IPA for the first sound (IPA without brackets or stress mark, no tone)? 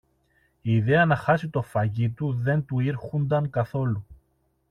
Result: iː